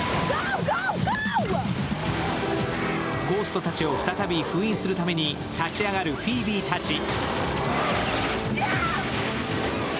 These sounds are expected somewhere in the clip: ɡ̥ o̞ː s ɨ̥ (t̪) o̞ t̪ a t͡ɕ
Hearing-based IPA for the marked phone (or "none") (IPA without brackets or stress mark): t̪